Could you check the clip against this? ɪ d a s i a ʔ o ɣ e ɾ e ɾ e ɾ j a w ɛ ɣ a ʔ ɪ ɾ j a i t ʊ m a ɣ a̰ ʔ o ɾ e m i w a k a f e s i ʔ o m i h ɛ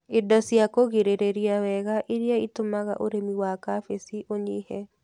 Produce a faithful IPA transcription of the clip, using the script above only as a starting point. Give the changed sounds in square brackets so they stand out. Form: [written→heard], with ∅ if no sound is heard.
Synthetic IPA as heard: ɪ d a s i a [ʔ→k] o ɣ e ɾ e ɾ e ɾ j a w ɛ ɣ a ʔ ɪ ɾ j a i t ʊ m a ɣ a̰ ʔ o ɾ e m i w a k a f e s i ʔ o [m→ɲ] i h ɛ